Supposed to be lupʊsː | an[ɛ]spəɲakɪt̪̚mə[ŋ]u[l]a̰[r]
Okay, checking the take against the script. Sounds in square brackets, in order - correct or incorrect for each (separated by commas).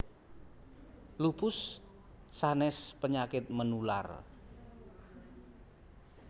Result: correct, incorrect, correct, correct